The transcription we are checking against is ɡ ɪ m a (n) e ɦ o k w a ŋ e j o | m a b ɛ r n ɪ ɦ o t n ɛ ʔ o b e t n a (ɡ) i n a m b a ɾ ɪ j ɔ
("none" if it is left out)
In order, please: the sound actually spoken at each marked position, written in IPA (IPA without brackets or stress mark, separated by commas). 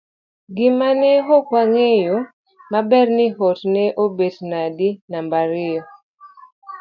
n, d